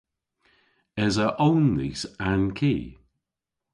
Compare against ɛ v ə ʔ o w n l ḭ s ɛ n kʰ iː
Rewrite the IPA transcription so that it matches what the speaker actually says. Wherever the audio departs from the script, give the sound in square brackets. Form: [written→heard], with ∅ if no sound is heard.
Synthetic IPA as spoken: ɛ [v→z] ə ʔ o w n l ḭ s [ɛ→a] n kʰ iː